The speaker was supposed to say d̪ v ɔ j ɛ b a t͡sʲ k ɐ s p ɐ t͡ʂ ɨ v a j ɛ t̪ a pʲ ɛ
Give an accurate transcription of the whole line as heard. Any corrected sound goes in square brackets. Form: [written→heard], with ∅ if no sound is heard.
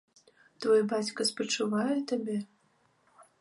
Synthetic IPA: [d̪→t̪] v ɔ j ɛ b a t͡sʲ k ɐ s p ɐ t͡ʂ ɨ v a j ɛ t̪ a [pʲ→bʲ] ɛ